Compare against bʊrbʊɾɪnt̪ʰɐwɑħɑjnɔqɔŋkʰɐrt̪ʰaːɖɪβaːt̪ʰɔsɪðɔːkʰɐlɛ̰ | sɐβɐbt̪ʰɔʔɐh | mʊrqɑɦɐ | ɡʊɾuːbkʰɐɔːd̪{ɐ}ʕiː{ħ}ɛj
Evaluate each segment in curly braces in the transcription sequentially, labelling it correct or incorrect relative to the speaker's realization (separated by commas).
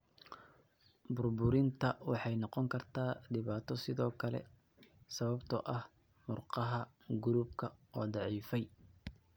incorrect, incorrect